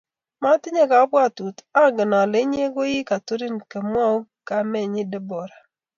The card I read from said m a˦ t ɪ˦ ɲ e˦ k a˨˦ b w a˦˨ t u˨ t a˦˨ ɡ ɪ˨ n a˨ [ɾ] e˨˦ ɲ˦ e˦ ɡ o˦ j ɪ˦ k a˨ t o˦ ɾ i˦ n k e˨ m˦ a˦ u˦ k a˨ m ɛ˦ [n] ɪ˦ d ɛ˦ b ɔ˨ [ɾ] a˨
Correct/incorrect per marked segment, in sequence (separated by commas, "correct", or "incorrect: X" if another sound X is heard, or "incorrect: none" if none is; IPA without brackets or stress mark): incorrect: l, incorrect: ɲ, correct